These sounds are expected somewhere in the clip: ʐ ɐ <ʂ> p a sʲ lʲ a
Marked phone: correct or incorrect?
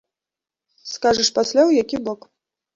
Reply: correct